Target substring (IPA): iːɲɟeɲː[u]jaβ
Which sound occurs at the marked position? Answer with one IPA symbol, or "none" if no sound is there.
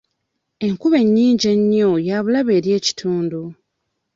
o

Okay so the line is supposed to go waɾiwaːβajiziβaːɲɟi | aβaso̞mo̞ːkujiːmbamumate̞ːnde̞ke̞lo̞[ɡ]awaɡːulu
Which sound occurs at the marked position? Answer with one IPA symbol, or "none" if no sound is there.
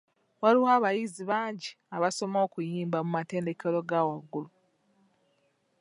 ɡ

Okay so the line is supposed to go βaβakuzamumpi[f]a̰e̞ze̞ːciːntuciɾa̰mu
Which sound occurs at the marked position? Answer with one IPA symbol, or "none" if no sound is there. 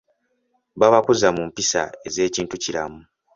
s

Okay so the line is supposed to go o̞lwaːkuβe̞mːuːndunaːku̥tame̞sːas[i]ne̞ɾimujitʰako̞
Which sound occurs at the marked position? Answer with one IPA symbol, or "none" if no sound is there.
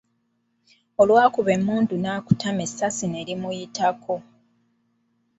i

